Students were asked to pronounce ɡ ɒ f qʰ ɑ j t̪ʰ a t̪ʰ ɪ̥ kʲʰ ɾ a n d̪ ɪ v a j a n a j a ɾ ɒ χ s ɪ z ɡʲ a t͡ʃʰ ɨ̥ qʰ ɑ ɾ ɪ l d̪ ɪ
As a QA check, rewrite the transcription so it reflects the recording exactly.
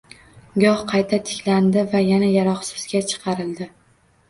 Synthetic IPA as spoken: ɡ ɒ h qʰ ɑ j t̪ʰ a t̪ʰ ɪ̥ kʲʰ l a n d̪ ɪ v a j a n a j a ɾ ɒ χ s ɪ z ɡʲ a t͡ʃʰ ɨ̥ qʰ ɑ ɾ ɪ l d̪ ɪ